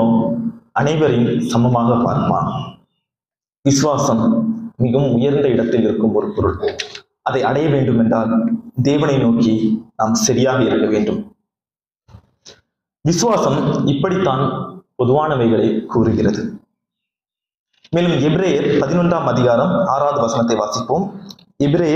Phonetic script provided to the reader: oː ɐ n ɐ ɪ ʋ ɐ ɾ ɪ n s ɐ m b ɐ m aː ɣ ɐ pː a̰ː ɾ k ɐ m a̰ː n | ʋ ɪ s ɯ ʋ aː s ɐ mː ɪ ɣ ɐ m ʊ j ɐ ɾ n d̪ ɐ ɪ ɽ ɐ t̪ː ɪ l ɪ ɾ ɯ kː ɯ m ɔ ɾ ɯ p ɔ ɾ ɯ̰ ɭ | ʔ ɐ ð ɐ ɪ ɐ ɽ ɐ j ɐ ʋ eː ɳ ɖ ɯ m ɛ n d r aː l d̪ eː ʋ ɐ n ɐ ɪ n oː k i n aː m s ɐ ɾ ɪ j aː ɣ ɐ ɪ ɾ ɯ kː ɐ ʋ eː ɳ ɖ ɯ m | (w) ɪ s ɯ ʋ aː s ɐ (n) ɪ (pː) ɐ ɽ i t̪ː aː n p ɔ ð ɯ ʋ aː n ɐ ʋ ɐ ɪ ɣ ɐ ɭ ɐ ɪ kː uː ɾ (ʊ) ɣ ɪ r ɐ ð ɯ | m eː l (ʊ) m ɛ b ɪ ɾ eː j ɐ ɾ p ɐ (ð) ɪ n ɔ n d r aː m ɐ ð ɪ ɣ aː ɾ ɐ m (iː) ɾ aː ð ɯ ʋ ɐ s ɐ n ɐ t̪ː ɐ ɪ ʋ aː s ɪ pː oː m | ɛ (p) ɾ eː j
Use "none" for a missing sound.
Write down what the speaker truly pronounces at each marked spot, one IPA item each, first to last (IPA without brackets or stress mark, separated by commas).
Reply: ʋ, m, pː, ɯ, ɯ, ð, aː, b